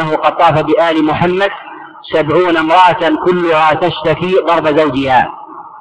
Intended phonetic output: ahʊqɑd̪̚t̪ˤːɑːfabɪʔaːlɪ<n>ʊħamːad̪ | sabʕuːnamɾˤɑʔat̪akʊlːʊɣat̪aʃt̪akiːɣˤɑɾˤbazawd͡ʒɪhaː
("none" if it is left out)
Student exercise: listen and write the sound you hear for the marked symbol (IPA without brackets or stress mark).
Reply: m